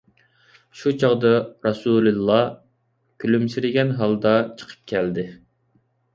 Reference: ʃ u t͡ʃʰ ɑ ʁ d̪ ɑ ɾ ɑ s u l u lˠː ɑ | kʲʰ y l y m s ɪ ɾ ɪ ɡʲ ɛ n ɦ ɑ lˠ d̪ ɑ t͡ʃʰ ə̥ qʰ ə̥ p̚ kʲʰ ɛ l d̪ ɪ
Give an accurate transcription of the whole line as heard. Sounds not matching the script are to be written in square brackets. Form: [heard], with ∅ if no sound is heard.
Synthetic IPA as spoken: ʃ u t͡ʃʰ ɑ ʁ d̪ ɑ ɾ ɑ s u l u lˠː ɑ | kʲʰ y l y m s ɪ ɾ ɪ ɡʲ ɛ n ɦ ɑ lˠ d̪ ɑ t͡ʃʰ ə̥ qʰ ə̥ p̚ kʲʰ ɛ l d̪ ɪ